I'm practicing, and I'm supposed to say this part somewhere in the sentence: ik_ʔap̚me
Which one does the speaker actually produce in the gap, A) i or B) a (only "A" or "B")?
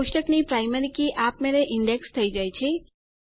A